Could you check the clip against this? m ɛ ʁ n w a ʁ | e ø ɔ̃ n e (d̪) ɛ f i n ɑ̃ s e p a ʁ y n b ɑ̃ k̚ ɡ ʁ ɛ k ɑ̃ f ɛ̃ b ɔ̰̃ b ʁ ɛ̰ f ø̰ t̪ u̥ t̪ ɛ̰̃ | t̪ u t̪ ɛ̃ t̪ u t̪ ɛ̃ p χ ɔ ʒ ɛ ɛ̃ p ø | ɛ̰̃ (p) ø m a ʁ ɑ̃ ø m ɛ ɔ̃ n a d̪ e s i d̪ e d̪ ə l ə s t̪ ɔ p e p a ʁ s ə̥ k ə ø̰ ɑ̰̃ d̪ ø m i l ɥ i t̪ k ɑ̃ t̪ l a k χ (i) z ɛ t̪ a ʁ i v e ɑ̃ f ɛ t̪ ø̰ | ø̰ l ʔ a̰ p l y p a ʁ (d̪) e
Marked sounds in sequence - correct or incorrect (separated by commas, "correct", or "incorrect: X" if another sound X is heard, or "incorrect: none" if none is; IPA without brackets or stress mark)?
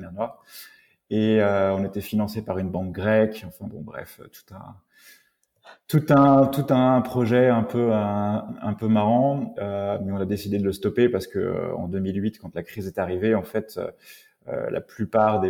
incorrect: t̪, correct, correct, correct